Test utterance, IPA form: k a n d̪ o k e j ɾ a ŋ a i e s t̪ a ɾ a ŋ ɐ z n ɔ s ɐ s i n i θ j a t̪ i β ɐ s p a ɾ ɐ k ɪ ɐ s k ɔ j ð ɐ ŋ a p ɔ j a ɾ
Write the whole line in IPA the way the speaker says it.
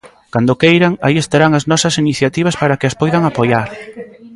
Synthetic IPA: k a n d̪ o k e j ɾ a ŋ a i e s t̪ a ɾ a ŋ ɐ z n ɔ s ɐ s i n i θ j a t̪ i β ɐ s p a ɾ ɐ k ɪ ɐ s p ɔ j ð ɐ ŋ a p o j a ɾ